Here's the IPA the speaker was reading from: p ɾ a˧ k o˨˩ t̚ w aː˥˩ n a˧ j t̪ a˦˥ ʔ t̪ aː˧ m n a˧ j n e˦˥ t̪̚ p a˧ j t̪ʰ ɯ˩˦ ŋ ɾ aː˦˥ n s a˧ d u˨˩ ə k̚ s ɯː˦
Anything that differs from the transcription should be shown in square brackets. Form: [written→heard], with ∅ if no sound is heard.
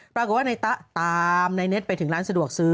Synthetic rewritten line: p ɾ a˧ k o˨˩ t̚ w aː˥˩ n a˧ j t̪ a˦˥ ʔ t̪ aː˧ m n a˧ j n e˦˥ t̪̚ p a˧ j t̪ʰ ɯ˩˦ ŋ ɾ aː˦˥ n s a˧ d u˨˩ ə k̚ s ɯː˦